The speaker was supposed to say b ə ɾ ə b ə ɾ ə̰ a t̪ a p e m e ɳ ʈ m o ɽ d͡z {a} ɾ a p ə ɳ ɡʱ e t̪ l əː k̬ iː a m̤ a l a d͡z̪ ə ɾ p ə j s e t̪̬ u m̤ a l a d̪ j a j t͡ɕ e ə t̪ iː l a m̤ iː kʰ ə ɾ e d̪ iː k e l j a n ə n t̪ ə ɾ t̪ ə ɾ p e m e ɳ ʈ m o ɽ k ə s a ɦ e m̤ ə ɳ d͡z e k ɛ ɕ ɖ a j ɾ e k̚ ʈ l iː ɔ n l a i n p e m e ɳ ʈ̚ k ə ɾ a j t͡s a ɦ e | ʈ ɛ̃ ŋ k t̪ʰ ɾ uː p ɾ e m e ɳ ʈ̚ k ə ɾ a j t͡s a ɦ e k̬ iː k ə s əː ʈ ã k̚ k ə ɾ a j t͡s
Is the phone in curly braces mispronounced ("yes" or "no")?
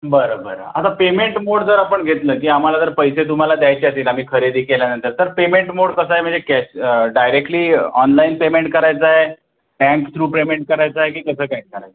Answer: yes